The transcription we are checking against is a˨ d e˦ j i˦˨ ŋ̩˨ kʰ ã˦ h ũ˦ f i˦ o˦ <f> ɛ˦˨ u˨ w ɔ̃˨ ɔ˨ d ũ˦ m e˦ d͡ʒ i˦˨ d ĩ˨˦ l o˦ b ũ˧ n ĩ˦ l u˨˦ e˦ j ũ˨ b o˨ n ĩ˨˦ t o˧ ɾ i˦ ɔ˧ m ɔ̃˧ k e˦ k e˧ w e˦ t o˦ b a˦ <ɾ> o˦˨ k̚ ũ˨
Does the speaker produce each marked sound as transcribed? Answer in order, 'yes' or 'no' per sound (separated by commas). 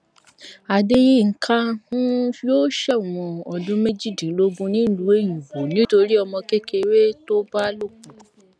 no, no